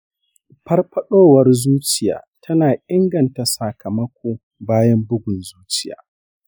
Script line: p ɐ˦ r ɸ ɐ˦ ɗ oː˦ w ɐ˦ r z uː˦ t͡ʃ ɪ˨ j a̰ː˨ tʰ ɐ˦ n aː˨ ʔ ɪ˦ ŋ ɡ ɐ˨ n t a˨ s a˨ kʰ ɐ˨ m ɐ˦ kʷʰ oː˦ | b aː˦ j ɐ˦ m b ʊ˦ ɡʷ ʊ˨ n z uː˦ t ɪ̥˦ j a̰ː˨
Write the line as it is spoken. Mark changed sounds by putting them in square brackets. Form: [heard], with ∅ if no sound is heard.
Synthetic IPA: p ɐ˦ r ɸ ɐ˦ ɗ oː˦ w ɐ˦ r z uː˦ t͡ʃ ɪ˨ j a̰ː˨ tʰ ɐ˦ n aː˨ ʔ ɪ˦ ŋ ɡ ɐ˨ n t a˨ s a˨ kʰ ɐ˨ m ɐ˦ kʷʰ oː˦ | b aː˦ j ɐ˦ m b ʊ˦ ɡʷ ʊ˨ n z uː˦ [t͡ʃ] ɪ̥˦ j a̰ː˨